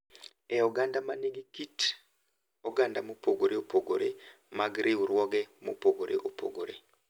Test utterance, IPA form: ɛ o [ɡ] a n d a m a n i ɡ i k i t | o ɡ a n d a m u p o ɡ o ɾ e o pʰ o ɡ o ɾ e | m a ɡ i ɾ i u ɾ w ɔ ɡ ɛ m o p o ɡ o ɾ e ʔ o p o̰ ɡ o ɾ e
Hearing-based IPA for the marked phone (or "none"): ɡ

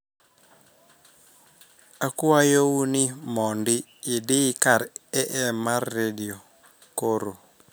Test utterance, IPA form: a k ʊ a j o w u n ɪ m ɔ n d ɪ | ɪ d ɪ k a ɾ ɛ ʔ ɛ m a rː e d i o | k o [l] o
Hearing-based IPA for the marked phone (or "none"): ɾ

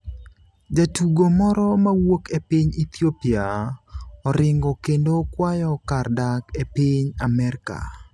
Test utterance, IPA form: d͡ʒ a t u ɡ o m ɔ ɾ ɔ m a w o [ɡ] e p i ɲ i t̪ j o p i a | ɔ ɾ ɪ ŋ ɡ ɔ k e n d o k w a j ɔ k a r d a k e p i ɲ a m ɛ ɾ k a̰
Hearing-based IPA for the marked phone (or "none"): k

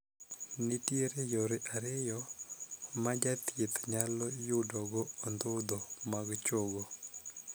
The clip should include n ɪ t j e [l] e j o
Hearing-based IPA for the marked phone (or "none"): ɾ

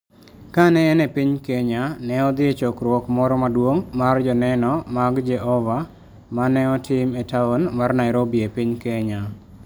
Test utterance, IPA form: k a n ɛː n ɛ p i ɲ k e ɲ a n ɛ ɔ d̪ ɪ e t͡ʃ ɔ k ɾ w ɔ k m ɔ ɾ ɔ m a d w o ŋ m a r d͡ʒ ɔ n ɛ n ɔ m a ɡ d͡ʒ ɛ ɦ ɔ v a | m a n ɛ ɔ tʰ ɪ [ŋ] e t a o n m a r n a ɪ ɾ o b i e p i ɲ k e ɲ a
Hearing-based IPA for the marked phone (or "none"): m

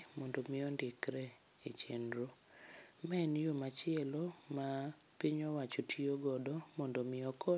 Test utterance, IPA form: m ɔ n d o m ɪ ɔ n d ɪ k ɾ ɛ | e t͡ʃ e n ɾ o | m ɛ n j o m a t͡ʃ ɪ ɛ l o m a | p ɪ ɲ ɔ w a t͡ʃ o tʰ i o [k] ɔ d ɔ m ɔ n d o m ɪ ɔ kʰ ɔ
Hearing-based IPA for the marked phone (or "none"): ɡ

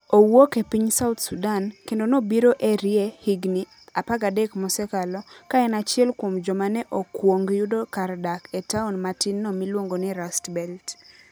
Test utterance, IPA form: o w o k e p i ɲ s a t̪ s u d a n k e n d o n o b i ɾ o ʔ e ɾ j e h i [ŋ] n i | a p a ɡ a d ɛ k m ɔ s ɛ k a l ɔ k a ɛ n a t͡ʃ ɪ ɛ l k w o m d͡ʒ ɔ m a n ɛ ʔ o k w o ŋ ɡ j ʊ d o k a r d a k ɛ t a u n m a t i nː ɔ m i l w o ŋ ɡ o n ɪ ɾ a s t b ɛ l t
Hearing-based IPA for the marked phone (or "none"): ɡ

